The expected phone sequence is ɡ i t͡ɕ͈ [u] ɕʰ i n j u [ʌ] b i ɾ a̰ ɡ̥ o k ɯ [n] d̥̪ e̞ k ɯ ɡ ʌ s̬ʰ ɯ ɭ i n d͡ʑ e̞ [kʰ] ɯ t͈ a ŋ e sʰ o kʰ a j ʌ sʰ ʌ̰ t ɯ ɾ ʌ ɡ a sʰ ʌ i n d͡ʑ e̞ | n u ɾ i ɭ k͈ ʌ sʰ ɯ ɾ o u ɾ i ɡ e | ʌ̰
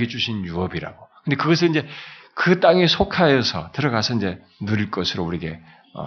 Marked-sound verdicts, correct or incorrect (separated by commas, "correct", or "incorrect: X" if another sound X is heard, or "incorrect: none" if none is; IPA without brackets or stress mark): correct, correct, correct, incorrect: k